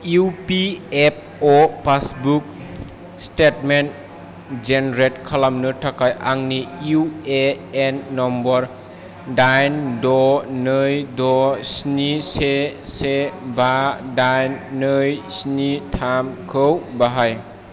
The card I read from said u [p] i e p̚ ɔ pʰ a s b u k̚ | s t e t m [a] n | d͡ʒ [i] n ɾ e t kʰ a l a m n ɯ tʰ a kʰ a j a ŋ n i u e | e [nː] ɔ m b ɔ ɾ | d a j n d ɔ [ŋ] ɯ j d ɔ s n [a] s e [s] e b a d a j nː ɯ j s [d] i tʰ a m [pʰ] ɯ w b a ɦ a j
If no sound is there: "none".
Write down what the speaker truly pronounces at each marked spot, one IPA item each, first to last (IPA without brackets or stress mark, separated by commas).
p, e, e, nː, n, i, s, n, kʰ